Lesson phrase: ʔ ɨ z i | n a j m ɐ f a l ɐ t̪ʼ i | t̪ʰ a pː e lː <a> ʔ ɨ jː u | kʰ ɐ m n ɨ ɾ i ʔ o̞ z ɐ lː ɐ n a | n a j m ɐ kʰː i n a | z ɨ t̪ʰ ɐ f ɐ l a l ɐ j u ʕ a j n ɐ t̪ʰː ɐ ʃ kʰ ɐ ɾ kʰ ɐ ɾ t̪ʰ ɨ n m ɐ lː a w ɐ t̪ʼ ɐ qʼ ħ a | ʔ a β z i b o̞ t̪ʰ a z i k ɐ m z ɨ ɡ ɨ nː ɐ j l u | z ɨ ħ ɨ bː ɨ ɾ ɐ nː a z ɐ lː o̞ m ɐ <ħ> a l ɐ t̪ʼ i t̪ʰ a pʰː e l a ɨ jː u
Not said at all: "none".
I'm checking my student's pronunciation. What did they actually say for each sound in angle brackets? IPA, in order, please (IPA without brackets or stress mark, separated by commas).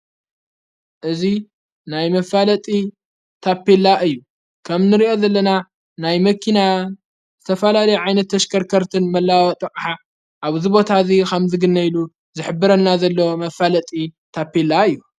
a, f